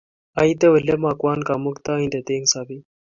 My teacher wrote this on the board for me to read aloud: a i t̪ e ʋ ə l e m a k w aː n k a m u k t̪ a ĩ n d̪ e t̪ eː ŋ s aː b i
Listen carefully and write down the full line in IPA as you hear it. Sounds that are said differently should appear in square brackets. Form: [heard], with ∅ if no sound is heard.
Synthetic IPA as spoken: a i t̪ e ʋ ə l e m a k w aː n k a m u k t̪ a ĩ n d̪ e t̪ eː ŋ s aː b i

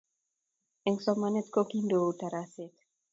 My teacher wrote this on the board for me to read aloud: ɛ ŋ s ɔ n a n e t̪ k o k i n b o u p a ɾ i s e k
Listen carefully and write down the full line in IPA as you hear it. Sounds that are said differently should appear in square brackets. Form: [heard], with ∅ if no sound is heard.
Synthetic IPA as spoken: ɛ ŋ s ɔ [m] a n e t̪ k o k i n [d] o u [t] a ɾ [a] s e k

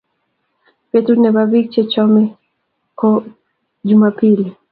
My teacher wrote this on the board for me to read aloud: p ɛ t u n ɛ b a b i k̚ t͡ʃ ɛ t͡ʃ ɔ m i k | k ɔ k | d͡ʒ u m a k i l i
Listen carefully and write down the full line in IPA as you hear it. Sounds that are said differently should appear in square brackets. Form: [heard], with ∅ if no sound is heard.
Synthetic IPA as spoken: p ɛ t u n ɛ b a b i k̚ t͡ʃ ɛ t͡ʃ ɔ m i [∅] | k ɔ [∅] | d͡ʒ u m a [p] i l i

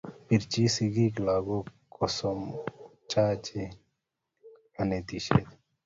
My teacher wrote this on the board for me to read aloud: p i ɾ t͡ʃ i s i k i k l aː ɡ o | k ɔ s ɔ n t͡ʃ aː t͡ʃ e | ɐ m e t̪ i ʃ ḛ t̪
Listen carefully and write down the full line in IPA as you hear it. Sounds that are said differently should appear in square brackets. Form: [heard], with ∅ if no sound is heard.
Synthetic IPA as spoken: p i ɾ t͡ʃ i s i [ɡ] i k l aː ɡ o | k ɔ s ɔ [m] t͡ʃ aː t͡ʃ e | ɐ [n] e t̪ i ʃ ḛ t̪

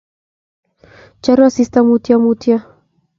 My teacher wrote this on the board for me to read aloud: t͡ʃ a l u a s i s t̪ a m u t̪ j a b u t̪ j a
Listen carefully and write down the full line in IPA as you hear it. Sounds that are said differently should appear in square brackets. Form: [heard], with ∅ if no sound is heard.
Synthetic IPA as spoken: t͡ʃ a [ɾ] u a s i s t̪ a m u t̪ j a [m] u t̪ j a

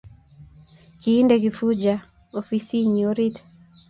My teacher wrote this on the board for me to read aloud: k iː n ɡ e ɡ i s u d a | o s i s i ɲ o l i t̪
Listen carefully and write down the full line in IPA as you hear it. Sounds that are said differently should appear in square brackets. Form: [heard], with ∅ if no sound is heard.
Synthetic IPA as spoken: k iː n [d] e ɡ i [f] u [d͡ʒ] a | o [f] i s i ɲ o [ɾ] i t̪

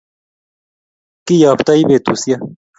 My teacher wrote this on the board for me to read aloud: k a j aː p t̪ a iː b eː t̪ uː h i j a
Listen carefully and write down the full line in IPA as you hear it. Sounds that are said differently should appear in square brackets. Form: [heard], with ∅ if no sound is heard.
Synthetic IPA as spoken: k [i] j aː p t̪ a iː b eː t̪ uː [s] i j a

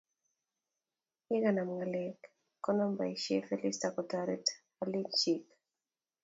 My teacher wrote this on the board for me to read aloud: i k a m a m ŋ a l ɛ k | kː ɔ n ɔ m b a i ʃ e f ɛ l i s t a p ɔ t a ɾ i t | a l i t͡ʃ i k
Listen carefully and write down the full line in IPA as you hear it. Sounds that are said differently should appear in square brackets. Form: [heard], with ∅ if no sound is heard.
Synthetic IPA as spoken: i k a [n] a m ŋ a l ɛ k | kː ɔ n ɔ m b a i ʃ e f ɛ l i s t a [k] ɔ t a ɾ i t | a l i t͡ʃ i k

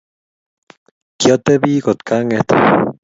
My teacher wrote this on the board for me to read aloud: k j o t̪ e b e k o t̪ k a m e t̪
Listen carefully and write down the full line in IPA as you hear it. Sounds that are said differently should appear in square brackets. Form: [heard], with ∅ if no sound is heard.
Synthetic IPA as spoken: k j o t̪ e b [i] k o t̪ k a [ŋ] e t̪

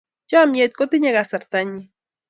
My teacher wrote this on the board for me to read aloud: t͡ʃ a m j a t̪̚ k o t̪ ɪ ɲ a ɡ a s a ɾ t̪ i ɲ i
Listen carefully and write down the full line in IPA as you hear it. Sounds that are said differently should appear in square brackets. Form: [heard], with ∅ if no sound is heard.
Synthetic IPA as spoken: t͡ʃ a m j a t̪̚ k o t̪ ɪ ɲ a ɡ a s a ɾ t̪ [a] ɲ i

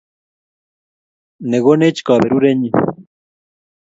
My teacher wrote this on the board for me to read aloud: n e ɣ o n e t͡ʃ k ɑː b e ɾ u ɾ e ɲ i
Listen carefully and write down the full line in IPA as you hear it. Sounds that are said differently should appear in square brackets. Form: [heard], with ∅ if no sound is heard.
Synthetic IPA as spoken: n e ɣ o n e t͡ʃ k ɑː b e ɾ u ɾ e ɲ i

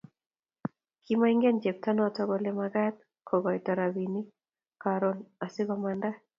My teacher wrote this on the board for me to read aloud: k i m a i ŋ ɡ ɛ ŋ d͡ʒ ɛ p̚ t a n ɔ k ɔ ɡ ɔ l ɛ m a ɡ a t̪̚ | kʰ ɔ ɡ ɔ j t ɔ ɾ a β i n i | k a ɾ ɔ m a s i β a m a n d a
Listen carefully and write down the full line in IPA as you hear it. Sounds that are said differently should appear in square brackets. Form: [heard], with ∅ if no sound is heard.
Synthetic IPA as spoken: k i m a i ŋ ɡ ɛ [n] d͡ʒ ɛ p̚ t a n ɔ [t] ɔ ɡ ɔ l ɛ m a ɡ a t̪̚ | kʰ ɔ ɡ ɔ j t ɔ ɾ a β i n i | k a ɾ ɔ [n] a s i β a m a n d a

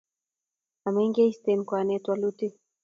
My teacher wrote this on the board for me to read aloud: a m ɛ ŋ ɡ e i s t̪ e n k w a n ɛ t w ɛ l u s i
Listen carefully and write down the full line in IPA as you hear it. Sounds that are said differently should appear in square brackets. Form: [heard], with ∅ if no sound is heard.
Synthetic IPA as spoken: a m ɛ ŋ ɡ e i s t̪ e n k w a n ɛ t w [a] l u [t] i

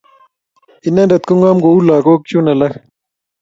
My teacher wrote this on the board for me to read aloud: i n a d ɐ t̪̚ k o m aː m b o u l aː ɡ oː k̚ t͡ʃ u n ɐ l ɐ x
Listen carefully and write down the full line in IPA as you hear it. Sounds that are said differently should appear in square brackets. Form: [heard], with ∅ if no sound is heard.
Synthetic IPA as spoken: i n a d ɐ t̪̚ k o [ŋ] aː m [ɡ] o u l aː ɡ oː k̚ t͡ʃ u n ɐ l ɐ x

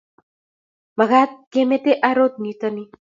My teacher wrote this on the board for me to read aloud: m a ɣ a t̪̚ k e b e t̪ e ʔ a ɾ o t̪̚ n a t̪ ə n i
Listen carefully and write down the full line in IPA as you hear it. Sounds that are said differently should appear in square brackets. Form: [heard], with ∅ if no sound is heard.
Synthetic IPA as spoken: m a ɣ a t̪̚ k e [m] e t̪ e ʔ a ɾ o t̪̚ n [i] t̪ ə n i

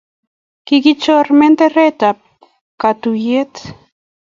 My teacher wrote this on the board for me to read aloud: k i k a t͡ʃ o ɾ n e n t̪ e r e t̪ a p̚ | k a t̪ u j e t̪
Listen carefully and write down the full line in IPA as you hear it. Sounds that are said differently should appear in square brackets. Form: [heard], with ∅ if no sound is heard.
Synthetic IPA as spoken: k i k [i] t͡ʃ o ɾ [m] e n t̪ e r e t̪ a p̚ | k a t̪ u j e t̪

